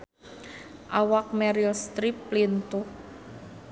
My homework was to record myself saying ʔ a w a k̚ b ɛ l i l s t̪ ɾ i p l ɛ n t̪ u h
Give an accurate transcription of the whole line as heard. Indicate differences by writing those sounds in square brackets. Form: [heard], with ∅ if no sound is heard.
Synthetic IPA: ʔ a w a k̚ [m] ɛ [ɾ] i l s t̪ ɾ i p l [i] n t̪ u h